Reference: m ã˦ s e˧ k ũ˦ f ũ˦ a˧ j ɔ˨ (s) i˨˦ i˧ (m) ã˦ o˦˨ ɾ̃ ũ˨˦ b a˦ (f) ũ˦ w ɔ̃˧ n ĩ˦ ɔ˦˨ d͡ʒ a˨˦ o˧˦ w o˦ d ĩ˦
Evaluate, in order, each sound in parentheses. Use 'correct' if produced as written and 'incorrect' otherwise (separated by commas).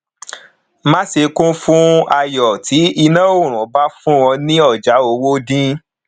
incorrect, incorrect, correct